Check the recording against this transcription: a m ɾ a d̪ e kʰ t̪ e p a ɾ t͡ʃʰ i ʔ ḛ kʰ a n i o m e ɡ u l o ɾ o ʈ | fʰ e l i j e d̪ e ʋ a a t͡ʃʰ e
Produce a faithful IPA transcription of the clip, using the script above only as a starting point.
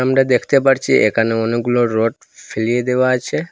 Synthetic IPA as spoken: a m ɾ a d̪ e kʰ t̪ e p a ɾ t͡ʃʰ i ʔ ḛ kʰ a n e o n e ɡ u l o ɾ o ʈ | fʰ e l i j e d̪ e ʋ a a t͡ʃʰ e